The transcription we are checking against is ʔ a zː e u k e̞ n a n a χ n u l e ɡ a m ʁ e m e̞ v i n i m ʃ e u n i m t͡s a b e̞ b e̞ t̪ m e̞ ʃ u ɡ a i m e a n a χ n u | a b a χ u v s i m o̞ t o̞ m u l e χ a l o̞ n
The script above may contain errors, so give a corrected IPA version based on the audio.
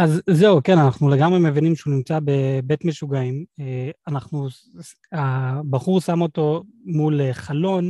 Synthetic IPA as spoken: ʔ a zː e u k e̞ n a n a χ n u l e ɡ a m ʁ e m e̞ v i n i m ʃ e u n i m t͡s a b e̞ b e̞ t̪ m e̞ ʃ u ɡ a i m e a n a χ n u | a b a χ u ʁ s a m o̞ t o̞ m u l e χ a l o̞ n